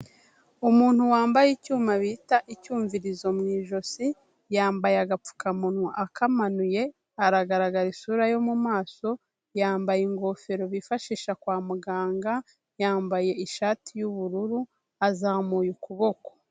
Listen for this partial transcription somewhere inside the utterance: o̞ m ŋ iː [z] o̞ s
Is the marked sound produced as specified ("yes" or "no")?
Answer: no